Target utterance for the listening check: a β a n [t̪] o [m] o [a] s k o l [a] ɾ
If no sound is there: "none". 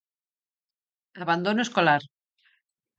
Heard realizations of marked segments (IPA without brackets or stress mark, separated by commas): d̪, n, e, a